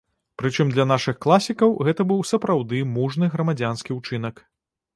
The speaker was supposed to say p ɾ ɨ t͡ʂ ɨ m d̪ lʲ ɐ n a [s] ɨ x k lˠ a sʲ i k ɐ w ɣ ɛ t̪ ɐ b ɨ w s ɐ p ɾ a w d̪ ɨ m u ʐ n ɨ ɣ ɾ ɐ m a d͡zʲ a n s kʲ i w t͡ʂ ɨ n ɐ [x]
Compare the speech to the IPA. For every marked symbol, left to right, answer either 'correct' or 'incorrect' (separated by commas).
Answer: incorrect, incorrect